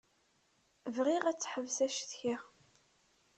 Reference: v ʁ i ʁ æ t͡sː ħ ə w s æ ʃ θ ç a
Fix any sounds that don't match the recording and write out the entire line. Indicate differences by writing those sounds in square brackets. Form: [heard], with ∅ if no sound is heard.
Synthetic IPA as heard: v ʁ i ʁ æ t͡sː ħ ə [v] s æ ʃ θ ç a

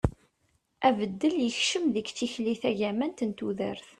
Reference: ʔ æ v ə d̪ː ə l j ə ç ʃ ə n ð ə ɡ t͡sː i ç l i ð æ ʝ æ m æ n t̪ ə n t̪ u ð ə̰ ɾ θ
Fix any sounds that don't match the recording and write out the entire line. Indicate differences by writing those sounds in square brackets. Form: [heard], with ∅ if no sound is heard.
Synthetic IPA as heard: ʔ æ v ə d̪ː ə l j ə ç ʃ ə [m] ð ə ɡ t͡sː i ç l i [θ] æ ʝ æ m æ n t̪ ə n t̪ u ð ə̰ ɾ θ

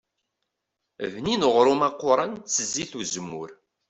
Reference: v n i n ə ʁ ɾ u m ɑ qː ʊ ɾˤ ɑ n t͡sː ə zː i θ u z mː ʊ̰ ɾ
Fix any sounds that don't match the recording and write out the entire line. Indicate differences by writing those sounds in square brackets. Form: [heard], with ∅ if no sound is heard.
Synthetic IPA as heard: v n i n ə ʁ ɾ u m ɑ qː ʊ ɾˤ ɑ n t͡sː ə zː i θ u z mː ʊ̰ ɾ

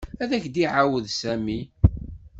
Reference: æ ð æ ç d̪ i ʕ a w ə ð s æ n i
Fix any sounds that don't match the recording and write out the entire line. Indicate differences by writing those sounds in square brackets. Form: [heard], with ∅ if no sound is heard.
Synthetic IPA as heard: æ ð æ ç d̪ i ʕ a w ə ð s æ [m] i

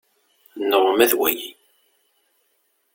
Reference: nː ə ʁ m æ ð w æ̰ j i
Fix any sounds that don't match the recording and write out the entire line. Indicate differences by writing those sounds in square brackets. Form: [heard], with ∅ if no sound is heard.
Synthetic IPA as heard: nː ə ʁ m æ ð w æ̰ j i

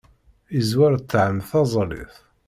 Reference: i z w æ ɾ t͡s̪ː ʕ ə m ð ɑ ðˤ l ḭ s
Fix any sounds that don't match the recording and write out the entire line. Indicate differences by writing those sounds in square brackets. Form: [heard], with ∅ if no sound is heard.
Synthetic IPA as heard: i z w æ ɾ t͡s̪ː ʕ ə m [θ] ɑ [zˤ] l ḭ [θ]

